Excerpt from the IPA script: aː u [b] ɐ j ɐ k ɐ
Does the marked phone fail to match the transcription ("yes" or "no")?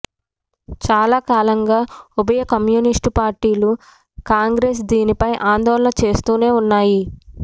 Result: no